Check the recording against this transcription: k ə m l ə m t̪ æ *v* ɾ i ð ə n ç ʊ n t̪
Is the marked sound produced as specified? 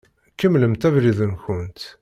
yes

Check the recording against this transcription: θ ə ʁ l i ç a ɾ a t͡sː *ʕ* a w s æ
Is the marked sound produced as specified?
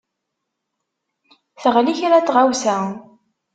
no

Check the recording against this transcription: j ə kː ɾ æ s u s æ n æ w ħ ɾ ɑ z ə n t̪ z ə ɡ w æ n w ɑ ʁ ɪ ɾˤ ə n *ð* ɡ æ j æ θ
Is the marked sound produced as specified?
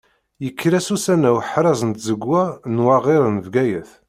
no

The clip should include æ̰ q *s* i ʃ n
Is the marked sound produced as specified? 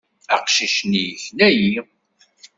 no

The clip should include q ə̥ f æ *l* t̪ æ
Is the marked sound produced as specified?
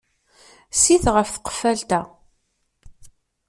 yes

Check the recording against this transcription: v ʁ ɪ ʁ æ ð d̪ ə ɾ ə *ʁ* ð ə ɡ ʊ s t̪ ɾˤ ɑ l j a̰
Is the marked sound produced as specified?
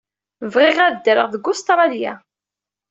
yes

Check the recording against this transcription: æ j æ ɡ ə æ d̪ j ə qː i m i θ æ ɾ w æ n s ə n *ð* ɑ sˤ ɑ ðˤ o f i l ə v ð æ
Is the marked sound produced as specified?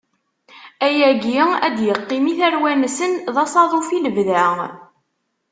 yes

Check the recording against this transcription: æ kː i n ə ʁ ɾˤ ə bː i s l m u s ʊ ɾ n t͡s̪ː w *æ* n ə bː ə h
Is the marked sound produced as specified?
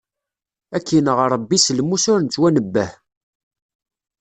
yes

